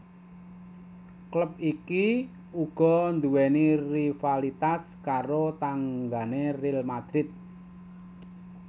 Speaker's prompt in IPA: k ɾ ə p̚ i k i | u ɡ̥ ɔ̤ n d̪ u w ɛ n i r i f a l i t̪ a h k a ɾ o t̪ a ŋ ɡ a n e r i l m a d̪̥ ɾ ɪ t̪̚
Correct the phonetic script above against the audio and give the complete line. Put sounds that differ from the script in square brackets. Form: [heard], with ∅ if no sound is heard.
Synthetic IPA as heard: k [l] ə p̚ i k i | u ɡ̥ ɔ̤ n d̪ u w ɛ n i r i f a l i t̪ a [s] k a ɾ o t̪ a ŋ ɡ a n e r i l m a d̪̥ ɾ ɪ t̪̚